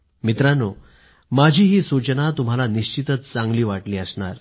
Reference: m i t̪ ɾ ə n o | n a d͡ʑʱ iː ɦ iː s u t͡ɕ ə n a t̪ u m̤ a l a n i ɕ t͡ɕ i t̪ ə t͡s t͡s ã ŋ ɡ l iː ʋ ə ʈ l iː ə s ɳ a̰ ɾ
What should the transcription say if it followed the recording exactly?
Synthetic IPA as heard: m i t̪ ɾ a n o | m a d͡ʑʱ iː ɦ iː s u t͡ɕ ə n a t̪ u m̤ a l a n i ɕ t͡ɕ i t̪ ə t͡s t͡s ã ŋ ɡ l iː ʋ a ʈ l iː ə s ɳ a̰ ɾ

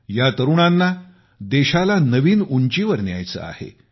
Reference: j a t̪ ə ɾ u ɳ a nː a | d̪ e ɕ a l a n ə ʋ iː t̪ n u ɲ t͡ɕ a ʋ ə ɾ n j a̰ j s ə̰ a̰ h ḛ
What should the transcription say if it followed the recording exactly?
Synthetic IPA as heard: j a t̪ ə ɾ u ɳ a nː a | d̪ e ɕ a l a n ə ʋ iː n u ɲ t͡ɕ i ʋ ə ɾ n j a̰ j t͡s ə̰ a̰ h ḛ

